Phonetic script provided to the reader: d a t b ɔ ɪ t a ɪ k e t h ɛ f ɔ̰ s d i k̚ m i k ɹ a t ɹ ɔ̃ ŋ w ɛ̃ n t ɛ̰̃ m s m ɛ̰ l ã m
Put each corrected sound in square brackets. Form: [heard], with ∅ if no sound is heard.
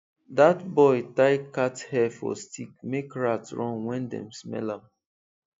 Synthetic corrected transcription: d a t b ɔ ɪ t a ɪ k [a] t h ɛ f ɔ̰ s [t] i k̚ m [e] k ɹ a t ɹ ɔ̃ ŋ w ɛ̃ n [d] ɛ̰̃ m s m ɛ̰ l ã m